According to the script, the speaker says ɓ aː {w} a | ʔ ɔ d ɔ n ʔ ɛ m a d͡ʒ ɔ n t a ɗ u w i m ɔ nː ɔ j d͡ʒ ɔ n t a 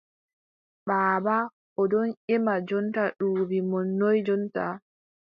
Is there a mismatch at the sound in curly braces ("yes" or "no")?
yes